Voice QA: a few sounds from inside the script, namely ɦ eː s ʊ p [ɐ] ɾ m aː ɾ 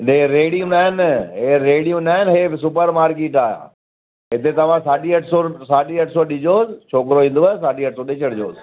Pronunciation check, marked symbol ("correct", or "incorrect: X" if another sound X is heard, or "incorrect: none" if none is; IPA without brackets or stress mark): incorrect: ə